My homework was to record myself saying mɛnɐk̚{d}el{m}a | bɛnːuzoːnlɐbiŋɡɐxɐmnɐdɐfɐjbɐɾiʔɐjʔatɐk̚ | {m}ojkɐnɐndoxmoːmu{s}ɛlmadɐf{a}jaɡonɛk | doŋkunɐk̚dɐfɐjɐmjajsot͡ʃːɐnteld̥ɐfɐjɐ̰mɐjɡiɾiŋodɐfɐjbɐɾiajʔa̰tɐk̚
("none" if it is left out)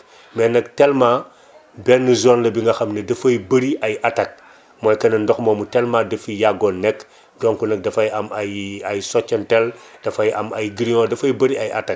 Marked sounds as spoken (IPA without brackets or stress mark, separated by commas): t, m, m, t, i